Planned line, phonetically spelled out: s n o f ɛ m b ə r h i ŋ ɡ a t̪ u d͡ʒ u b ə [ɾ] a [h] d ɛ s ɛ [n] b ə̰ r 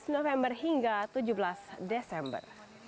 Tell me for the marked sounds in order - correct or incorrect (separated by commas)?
incorrect, incorrect, incorrect